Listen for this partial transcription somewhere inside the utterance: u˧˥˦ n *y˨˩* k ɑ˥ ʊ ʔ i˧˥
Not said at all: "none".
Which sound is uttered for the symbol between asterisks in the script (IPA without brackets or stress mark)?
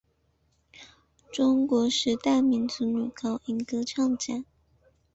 y˨˩